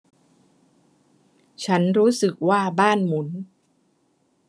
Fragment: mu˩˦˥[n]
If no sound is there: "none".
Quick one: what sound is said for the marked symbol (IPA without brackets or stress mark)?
n